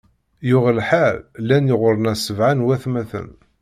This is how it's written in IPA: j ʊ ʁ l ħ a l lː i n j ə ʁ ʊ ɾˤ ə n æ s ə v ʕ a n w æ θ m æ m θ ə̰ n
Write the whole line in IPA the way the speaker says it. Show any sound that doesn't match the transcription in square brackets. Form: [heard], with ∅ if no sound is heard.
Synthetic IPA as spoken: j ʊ ʁ l ħ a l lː [æ] n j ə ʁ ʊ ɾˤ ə n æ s ə v ʕ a n w æ θ m æ [∅] θ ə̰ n

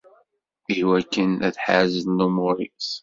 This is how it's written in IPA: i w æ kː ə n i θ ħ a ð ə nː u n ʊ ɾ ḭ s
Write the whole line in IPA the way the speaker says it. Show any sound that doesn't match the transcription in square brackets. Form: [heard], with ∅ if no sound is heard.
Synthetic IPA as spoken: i w æ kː ə n [æ] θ ħ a [z] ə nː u [m] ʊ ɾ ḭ s

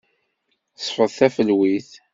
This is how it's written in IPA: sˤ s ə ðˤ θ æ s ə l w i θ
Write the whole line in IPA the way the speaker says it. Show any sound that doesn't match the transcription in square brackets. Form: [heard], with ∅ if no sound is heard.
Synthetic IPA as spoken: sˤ [f] ə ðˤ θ æ [f] ə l w i θ

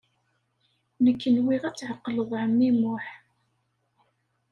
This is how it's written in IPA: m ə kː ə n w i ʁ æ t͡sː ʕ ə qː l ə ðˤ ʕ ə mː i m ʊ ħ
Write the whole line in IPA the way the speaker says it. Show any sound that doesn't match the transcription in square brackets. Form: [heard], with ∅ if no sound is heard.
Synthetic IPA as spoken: [n] ə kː ə n w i ʁ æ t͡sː ʕ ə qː l ə ðˤ ʕ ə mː i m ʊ ħ

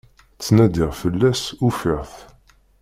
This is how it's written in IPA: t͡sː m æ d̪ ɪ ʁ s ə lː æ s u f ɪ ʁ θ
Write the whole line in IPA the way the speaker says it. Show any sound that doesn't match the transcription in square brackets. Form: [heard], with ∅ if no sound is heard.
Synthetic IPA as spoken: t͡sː [n] æ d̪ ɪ ʁ [f] ə lː æ s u f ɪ ʁ θ

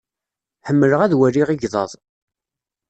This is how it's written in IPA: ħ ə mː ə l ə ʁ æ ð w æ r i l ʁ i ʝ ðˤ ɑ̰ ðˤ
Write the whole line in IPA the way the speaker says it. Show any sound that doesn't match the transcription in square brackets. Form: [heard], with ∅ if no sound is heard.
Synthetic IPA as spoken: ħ ə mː ə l ə ʁ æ ð w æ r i [∅] ʁ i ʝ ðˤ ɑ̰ ðˤ

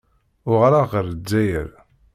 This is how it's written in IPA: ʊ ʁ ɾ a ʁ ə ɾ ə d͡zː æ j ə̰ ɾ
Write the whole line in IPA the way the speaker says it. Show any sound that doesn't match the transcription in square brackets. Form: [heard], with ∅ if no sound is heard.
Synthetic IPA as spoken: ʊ ʁ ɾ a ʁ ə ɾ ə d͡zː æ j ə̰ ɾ

